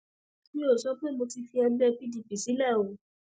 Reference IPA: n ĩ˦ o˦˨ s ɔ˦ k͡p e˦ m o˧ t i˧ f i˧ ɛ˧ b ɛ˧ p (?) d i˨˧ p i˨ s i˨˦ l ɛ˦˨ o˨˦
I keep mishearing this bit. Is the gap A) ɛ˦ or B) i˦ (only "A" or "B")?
B